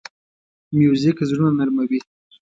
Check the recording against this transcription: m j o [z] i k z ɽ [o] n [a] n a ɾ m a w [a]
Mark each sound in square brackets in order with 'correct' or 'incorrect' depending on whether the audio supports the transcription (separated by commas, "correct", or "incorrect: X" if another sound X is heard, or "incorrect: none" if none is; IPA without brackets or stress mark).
correct, incorrect: u, correct, incorrect: i